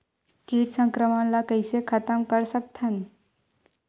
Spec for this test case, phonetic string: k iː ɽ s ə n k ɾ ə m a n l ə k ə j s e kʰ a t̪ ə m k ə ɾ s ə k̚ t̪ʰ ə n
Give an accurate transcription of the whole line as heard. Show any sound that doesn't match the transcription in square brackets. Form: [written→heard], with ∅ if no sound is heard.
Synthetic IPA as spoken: k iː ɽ s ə [n→ŋ] k ɾ ə m a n l [ə→a] k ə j s e kʰ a t̪ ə m k ə ɾ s ə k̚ t̪ʰ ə n